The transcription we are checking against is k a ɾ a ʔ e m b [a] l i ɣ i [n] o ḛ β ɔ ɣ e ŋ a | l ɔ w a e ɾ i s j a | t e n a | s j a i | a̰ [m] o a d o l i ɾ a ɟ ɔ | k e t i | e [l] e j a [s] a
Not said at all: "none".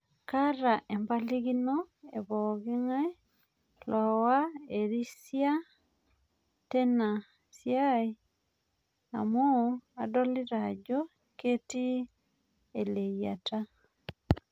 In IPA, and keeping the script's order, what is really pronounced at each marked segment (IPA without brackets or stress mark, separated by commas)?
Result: a, n, m, l, t